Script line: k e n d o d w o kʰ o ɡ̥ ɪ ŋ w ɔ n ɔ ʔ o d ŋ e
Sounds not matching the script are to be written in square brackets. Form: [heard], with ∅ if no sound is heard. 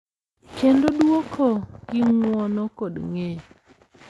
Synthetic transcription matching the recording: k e n d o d w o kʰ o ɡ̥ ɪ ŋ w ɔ n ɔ [k] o d ŋ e